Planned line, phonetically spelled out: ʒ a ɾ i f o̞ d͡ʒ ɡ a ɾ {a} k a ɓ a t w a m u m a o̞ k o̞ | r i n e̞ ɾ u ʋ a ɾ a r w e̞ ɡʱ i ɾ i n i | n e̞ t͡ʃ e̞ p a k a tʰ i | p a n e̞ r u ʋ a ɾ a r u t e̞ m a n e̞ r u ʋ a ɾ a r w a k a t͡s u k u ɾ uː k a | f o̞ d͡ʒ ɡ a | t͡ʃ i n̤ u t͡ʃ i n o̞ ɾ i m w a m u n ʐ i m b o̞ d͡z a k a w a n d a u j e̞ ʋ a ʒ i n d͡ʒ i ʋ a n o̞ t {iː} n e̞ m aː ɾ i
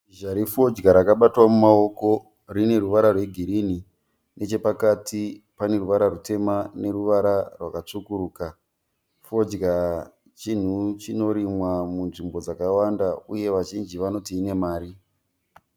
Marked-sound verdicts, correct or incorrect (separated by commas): correct, correct